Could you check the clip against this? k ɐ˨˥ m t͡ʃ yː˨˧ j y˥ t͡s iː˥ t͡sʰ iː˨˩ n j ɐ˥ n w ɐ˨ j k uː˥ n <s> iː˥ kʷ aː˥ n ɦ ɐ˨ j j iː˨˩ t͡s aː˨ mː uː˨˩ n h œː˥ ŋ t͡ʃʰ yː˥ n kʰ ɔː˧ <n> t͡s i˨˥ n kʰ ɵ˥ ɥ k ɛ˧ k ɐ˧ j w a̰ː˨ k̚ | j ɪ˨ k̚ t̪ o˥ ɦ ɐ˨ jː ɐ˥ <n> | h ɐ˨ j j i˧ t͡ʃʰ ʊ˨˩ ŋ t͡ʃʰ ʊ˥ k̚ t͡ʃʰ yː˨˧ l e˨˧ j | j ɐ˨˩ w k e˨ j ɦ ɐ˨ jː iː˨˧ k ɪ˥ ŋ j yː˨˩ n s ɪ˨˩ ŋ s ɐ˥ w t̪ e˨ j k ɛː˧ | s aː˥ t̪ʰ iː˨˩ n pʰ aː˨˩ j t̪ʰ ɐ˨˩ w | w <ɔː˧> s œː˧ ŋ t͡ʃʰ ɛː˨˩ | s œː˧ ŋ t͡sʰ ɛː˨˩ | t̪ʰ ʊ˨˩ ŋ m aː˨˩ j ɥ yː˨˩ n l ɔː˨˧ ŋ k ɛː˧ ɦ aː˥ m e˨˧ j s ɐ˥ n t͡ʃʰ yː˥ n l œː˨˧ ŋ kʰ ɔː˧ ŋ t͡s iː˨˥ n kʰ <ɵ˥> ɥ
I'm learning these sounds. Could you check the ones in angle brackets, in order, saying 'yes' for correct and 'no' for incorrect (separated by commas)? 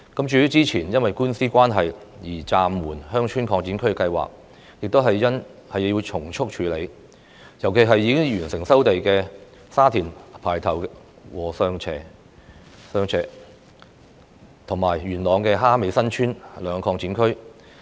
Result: yes, no, yes, no, yes